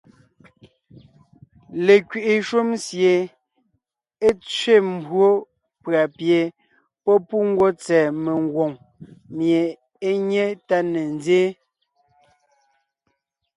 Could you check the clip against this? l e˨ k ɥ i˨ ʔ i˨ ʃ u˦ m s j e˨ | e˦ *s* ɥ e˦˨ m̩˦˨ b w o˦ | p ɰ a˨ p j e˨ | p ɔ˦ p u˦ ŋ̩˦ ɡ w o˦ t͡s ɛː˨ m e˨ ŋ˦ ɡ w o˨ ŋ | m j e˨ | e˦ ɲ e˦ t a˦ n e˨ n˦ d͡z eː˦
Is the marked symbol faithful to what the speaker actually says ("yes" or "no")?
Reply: no